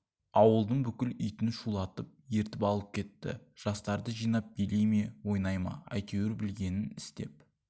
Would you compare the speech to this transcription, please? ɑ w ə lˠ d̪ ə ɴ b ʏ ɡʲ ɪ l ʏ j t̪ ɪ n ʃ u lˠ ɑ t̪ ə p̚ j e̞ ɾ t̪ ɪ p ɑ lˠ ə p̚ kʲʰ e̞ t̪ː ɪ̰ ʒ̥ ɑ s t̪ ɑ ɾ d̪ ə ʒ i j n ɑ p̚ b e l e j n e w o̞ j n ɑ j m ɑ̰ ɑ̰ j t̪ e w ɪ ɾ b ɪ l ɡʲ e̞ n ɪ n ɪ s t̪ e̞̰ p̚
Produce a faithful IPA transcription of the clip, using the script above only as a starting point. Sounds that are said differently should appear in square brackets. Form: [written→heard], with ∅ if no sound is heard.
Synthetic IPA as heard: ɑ w ə lˠ d̪ ə ɴ b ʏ [ɡʲ→kʲ] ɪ l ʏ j t̪ ɪ n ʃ u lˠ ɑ t̪ ə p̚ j e̞ ɾ t̪ ɪ p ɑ lˠ ə p̚ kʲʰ e̞ t̪ː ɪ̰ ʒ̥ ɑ s t̪ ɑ ɾ d̪ ə ʒ i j n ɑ p̚ b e l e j [n→m] e w o̞ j n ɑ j m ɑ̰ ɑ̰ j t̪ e w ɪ ɾ b ɪ l ɡʲ e̞ n ɪ n ɪ s t̪ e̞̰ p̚

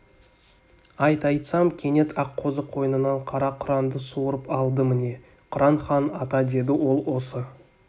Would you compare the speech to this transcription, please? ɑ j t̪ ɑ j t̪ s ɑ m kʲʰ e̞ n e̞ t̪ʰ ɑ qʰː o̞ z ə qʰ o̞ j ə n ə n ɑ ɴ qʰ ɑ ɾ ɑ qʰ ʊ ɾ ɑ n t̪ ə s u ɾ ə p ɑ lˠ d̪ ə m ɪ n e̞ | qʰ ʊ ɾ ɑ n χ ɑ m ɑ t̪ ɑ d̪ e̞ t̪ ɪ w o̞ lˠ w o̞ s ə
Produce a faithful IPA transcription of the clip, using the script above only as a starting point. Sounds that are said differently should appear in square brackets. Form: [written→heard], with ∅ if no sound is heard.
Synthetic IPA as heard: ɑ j t̪ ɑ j t̪ s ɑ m kʲʰ e̞ n e̞ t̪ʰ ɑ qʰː o̞ z ə qʰ o̞ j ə n ə n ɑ ɴ qʰ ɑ ɾ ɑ qʰ ʊ ɾ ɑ n [t̪→d̪] ə s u ɾ ə p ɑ lˠ d̪ ə m ɪ n e̞ | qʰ ʊ ɾ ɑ n χ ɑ [m→n] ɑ t̪ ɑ d̪ e̞ [t̪→d̪] ɪ w o̞ lˠ w o̞ s ə

